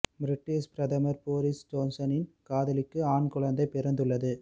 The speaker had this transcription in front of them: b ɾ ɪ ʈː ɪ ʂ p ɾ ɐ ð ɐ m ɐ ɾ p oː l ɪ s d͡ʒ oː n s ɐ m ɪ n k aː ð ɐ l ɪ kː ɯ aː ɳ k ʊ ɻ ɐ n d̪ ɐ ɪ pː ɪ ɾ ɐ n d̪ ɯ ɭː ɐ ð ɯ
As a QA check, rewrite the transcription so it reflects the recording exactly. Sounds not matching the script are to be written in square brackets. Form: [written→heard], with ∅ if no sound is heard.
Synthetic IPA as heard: b ɾ ɪ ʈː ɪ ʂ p ɾ ɐ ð ɐ m ɐ ɾ p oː [l→ɾ] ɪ s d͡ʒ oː n s ɐ [m→n] ɪ n k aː ð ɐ l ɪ kː ɯ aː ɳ k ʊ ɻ ɐ n d̪ ɐ ɪ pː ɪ ɾ ɐ n d̪ ɯ ɭː ɐ ð ɯ